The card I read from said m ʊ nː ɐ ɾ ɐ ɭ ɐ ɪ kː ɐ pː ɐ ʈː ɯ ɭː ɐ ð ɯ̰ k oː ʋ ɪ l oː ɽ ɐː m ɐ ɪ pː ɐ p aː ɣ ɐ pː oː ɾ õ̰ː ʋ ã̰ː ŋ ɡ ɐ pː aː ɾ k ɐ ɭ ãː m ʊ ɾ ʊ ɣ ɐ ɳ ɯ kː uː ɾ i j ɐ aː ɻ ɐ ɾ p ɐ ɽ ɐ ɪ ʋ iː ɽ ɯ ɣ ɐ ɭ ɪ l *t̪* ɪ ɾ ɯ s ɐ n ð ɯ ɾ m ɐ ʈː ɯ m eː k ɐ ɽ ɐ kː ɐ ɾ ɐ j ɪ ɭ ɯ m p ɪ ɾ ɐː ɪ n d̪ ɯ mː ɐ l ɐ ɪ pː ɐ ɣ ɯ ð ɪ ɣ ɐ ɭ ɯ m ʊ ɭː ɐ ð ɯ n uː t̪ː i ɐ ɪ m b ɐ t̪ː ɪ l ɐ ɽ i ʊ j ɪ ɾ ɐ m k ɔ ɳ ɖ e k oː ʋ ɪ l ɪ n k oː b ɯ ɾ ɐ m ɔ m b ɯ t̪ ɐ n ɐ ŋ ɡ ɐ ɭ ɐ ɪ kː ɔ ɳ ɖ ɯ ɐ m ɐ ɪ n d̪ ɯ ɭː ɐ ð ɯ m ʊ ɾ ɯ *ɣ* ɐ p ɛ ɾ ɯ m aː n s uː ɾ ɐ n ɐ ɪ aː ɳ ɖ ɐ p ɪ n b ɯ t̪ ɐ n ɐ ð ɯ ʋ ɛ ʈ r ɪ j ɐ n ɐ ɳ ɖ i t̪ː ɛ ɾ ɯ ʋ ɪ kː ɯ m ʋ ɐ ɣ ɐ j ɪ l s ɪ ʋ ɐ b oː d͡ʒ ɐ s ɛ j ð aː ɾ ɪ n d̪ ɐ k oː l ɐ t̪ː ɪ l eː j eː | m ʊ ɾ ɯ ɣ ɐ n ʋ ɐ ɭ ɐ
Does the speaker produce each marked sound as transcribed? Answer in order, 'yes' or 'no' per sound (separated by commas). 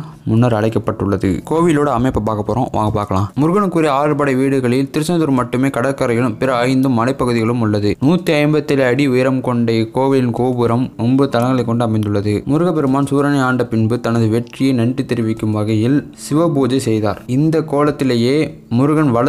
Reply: yes, yes